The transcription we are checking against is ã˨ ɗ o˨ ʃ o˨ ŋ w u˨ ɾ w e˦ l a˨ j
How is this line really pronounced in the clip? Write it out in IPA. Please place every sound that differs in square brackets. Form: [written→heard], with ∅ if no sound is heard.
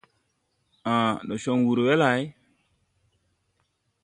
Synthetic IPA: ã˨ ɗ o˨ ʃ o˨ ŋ w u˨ ɾ w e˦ l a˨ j